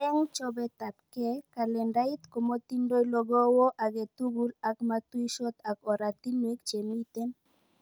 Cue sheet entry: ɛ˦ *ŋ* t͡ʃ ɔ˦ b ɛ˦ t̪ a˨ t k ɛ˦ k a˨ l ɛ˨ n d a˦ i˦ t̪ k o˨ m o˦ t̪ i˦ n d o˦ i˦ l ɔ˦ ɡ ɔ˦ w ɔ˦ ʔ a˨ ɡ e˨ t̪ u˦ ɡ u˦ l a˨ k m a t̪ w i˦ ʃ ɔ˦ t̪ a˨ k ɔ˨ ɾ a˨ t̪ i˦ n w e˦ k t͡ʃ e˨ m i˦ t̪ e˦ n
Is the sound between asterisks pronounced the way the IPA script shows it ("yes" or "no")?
yes